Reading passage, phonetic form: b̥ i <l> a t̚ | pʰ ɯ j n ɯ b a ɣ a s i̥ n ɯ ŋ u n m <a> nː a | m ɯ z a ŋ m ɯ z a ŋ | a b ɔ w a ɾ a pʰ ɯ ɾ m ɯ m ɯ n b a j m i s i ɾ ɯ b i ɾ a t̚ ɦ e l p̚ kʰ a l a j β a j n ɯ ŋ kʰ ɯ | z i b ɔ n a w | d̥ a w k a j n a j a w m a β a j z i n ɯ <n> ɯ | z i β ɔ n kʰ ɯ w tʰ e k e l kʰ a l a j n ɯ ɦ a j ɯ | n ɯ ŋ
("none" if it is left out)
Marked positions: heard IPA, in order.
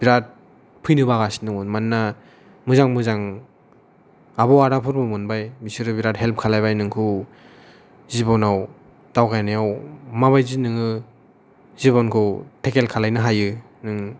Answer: ɾ, a, ŋ

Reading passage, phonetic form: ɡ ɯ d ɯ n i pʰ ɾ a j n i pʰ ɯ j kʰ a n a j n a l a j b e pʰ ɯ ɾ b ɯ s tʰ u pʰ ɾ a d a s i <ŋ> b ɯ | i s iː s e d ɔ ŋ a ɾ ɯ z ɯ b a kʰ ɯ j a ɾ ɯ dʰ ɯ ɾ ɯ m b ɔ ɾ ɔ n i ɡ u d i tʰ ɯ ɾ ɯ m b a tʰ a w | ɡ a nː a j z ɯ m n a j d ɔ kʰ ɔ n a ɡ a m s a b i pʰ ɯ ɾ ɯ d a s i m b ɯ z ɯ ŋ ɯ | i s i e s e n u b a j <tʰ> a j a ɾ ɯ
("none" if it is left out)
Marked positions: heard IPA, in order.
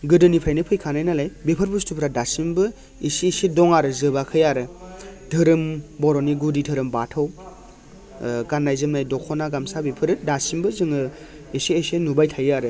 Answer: m, tʰ

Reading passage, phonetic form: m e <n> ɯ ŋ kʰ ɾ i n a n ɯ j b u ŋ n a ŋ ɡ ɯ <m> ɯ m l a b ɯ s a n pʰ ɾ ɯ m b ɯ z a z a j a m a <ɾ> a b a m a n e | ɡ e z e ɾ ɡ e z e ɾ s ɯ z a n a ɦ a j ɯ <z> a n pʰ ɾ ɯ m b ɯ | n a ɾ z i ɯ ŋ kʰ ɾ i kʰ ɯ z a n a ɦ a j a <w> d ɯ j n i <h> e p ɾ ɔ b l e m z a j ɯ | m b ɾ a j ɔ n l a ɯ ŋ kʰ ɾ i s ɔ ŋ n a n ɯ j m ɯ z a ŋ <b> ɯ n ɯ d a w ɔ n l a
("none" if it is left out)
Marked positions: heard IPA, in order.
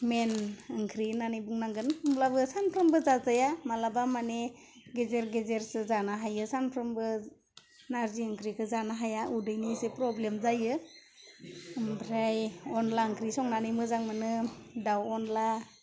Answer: n, n, l, s, u, s, m

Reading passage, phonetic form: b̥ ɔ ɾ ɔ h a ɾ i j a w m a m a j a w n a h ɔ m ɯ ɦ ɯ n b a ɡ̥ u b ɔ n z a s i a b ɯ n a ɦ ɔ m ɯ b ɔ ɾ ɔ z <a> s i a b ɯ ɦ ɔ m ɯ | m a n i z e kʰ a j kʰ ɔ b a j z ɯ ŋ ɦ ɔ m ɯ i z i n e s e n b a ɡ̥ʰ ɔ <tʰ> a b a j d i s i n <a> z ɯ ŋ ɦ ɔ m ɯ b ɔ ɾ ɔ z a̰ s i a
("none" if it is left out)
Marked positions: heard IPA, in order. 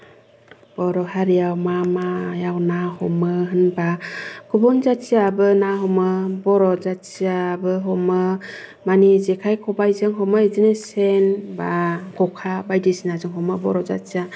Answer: a, kʰ, a

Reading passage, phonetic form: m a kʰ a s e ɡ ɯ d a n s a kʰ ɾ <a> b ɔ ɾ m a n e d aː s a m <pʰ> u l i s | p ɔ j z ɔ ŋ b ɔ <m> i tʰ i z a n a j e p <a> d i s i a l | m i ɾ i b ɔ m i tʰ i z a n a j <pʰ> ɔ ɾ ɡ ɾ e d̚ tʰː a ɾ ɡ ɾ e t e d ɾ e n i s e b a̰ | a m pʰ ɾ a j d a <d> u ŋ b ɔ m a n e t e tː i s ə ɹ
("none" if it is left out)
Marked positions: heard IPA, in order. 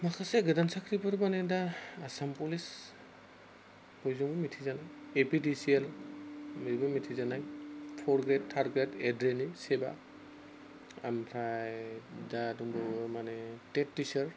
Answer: i, p, m, i, pʰ, d

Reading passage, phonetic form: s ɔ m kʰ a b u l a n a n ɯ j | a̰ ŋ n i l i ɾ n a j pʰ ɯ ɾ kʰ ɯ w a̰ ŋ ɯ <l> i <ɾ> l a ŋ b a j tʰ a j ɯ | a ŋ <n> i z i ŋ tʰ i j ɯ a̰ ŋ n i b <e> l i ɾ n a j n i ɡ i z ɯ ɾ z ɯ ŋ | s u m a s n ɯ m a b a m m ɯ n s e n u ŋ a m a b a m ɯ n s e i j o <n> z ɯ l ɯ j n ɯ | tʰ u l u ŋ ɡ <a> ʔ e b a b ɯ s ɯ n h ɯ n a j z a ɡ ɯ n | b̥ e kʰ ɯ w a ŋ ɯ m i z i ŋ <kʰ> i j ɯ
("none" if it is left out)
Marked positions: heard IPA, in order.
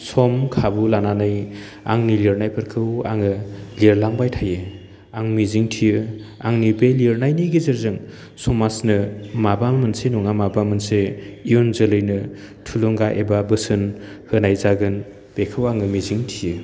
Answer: l, ɾ, m, e, n, a, tʰ

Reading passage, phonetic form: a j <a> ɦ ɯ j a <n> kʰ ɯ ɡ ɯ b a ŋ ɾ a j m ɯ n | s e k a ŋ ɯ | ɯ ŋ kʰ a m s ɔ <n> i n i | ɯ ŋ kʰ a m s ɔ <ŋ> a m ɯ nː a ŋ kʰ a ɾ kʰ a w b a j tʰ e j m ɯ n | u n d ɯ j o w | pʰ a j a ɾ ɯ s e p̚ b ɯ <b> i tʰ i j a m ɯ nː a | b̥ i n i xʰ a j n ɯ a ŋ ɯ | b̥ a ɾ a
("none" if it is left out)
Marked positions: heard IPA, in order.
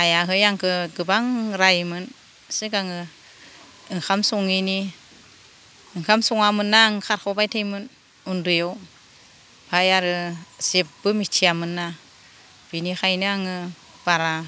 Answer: a, ŋ, ŋ, ŋ, m

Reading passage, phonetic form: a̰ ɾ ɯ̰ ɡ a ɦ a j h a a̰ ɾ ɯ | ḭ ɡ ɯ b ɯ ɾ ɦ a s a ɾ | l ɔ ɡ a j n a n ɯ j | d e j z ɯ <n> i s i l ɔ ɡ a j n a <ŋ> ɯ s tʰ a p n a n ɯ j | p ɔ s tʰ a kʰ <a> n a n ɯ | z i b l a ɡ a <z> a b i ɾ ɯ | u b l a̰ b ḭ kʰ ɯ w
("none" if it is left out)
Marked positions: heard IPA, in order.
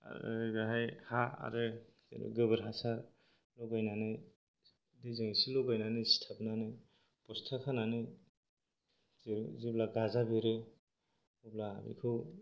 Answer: ŋ, n, a, z

